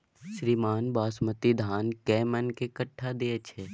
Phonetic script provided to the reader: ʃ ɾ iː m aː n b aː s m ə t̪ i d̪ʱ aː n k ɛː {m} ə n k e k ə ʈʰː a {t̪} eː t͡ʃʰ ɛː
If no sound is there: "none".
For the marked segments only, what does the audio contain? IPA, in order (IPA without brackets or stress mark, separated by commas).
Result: m, d̪